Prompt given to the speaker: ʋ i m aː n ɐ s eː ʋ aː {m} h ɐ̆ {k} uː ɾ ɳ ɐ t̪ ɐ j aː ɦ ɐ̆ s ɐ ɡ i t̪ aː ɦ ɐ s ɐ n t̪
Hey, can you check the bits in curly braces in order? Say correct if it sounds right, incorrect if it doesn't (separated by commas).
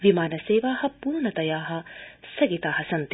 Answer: incorrect, incorrect